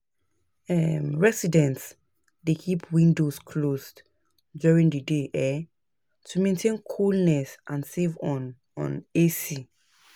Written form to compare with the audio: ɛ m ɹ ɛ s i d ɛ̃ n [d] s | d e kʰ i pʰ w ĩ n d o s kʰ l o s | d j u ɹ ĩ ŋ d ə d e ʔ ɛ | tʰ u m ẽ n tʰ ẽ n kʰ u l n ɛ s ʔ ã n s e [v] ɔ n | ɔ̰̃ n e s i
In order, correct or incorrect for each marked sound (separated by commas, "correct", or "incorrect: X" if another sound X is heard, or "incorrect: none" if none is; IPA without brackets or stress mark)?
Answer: incorrect: t, correct